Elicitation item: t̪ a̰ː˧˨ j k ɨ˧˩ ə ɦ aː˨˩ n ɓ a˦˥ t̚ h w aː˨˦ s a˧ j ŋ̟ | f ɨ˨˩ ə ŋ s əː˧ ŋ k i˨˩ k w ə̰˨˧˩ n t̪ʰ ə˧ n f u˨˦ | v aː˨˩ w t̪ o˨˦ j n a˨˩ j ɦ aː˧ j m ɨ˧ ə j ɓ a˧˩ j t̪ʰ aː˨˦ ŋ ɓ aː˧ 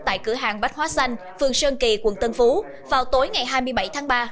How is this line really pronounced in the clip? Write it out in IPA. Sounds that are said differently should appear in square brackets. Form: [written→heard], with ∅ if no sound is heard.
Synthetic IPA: t̪ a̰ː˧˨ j k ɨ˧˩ ə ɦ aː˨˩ [n→ŋ] ɓ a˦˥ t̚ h w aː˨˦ s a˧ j ŋ̟ | f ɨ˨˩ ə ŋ s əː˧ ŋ k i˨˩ k w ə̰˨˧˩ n [t̪ʰ→t̪] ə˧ n f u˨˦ | v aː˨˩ w t̪ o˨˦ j [n→ŋ] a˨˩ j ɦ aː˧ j m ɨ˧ ə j ɓ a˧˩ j t̪ʰ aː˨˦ ŋ ɓ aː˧